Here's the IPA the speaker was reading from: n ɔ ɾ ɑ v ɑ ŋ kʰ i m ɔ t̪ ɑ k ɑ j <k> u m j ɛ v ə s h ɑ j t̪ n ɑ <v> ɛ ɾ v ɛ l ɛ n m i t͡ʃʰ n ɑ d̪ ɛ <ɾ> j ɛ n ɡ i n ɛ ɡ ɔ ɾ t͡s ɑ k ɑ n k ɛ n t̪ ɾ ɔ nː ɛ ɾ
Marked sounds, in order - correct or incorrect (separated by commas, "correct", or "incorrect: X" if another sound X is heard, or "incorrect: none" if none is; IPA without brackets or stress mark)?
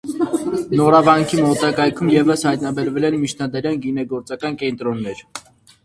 incorrect: kʰ, incorrect: b, correct